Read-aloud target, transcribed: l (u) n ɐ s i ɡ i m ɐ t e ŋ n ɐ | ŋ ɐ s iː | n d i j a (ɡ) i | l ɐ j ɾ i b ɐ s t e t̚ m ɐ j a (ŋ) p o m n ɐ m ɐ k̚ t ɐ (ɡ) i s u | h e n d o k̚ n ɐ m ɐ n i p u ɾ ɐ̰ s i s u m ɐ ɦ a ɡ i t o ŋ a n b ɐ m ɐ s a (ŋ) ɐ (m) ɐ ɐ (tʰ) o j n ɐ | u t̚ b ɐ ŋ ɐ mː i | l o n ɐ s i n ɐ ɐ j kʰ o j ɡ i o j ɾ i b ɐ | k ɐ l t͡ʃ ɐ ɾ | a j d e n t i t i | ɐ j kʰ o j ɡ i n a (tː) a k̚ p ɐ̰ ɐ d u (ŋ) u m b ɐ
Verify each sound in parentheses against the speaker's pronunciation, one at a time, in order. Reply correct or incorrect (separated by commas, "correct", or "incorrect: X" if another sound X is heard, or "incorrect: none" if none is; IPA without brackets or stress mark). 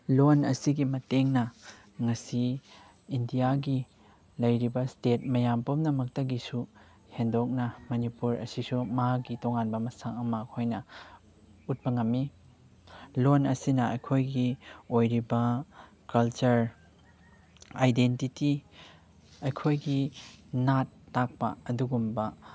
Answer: incorrect: o, correct, incorrect: m, correct, correct, correct, incorrect: kʰ, correct, incorrect: ɡ